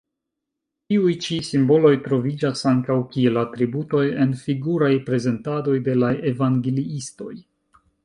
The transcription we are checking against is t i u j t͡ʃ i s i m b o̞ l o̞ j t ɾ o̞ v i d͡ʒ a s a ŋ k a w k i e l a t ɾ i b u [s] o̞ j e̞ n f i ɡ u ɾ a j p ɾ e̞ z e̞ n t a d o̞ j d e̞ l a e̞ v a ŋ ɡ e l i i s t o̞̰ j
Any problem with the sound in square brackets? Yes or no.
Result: yes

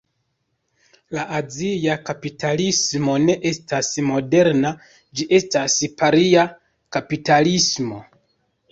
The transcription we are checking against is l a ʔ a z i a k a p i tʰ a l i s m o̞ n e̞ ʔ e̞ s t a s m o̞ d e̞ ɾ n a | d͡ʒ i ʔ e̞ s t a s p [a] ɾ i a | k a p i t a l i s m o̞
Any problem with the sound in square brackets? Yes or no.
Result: no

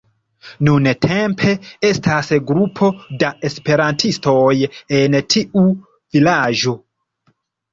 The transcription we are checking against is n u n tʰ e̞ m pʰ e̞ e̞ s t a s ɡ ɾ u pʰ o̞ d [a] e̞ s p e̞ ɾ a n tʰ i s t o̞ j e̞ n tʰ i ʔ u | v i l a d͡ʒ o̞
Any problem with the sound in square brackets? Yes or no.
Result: no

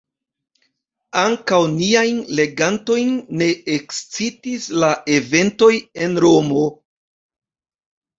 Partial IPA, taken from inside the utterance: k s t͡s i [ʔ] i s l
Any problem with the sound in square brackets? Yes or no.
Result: yes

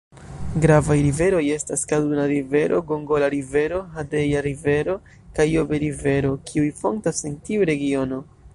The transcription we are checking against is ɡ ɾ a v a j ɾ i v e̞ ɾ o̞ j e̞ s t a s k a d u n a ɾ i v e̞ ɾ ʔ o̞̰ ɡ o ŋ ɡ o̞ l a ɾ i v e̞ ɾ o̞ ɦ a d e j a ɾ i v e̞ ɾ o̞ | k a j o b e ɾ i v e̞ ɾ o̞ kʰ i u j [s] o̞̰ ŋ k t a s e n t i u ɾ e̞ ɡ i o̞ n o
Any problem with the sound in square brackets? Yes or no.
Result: yes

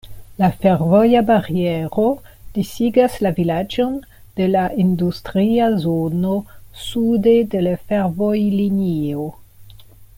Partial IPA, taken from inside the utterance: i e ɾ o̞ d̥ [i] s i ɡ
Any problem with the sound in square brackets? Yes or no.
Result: no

